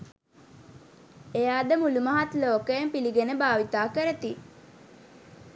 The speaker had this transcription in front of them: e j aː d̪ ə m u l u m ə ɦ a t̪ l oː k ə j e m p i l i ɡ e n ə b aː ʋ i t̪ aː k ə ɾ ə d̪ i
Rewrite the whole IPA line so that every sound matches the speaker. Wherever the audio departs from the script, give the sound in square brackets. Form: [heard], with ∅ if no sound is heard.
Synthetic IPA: e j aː d̪ ə m u l u m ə ɦ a t̪ l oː k ə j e m p i l i ɡ e n ə b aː ʋ i t̪ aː k ə ɾ ə [t̪] i